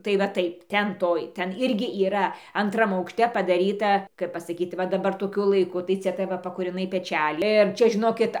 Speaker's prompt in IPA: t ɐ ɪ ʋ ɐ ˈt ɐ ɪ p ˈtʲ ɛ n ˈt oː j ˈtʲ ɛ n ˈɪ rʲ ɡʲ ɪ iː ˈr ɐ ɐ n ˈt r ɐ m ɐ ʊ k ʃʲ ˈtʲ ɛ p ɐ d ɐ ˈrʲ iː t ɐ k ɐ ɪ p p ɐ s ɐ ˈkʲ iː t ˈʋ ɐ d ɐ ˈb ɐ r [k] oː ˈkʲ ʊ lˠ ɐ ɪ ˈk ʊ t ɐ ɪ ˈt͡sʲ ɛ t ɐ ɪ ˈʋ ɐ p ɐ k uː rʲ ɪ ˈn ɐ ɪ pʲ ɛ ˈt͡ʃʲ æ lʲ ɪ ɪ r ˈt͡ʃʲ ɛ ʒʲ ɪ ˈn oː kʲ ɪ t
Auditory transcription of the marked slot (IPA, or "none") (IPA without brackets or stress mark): t